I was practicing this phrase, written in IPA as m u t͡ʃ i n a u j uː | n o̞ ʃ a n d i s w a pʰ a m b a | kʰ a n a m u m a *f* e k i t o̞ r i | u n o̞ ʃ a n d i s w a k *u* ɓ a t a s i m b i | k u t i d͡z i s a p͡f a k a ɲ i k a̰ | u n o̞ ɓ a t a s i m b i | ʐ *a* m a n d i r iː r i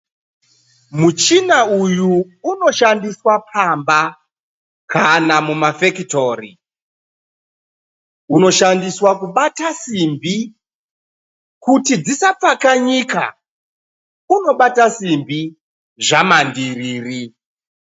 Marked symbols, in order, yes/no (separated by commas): yes, yes, yes